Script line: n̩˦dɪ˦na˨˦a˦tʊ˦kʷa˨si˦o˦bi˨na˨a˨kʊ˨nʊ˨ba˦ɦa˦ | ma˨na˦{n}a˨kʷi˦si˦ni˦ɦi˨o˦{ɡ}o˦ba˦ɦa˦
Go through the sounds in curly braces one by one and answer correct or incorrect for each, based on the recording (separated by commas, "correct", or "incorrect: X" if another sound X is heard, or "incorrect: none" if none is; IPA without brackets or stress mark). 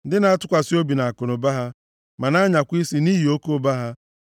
incorrect: ɲ, incorrect: k